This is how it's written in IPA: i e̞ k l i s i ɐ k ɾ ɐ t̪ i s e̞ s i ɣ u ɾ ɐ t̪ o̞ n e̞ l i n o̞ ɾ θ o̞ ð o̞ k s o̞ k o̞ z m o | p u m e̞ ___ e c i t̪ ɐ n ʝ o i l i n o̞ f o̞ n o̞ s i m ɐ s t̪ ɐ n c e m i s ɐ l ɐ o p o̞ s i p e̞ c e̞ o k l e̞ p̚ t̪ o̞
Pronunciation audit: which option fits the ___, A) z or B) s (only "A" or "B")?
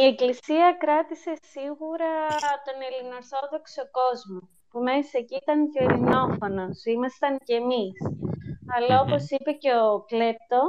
B